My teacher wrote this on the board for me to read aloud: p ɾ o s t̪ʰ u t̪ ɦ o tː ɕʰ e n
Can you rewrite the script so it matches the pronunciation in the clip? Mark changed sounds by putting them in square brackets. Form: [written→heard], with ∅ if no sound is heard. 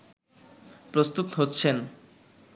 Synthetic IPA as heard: p ɾ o s [t̪ʰ→t̪] u t̪ ɦ o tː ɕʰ e n